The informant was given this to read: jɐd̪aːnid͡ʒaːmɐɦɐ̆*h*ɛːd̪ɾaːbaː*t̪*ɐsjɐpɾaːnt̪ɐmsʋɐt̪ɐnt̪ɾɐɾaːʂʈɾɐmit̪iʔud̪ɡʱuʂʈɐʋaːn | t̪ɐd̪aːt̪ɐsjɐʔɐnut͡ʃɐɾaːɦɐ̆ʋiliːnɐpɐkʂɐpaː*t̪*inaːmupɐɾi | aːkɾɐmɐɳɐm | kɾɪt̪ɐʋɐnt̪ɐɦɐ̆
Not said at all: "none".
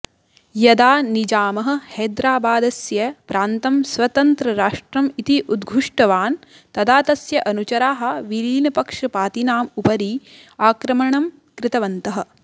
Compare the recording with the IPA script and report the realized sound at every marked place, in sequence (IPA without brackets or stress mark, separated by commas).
h, d̪, t̪